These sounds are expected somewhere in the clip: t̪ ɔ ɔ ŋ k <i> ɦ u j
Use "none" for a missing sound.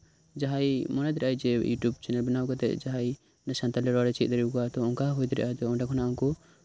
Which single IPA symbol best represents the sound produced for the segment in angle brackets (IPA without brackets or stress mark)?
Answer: a